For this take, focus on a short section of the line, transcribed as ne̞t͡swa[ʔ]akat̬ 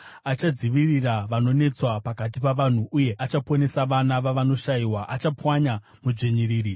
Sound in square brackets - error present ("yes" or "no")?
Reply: yes